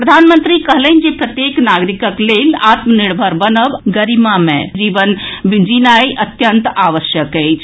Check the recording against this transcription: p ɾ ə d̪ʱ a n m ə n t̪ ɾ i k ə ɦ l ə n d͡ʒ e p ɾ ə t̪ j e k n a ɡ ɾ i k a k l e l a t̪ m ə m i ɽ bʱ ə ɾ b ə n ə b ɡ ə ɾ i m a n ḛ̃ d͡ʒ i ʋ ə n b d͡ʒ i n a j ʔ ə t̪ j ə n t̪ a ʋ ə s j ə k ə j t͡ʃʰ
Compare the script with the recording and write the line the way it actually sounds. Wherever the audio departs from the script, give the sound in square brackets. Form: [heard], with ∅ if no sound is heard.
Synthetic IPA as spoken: p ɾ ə d̪ʱ a n m ə n t̪ ɾ i k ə ɦ l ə n d͡ʒ e p ɾ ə t̪ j e k n a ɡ ɾ i k [ə] k l e l a t̪ m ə [n] i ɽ bʱ ə ɾ b ə n ə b ɡ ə ɾ i m a [m] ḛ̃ d͡ʒ i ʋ ə n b d͡ʒ i n a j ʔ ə t̪ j ə n t̪ a ʋ ə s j ə k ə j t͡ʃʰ